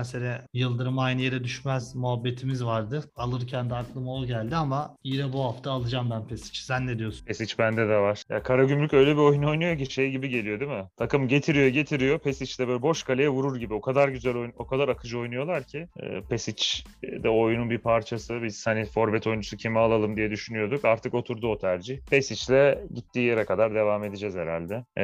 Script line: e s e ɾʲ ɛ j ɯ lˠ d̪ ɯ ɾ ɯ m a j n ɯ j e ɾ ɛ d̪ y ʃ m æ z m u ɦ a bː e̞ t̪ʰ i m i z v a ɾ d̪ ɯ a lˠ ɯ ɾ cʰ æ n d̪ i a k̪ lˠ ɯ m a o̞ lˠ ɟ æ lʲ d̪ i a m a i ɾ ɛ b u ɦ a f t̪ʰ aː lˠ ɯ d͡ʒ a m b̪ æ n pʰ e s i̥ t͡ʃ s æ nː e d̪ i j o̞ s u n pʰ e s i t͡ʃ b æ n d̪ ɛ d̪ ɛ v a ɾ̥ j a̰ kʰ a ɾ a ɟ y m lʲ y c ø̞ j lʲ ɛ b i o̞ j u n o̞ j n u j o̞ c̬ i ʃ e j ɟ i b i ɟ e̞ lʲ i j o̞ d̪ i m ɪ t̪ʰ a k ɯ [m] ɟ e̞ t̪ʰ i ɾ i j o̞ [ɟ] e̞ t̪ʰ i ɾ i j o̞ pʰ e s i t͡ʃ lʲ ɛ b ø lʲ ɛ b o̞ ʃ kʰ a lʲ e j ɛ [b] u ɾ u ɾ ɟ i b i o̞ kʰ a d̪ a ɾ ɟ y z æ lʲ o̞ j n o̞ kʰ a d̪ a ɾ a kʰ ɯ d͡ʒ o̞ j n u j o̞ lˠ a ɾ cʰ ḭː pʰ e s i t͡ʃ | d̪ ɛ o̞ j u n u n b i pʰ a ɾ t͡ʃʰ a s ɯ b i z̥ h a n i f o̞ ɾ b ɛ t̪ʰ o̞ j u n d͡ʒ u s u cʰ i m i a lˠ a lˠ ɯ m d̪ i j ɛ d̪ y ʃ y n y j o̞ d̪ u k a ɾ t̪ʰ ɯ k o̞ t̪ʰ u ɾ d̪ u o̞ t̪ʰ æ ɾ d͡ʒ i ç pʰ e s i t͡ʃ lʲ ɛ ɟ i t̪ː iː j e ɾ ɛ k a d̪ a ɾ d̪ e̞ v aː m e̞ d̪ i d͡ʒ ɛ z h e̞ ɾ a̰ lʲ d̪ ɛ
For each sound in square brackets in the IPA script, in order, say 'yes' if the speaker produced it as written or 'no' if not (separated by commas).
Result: yes, yes, no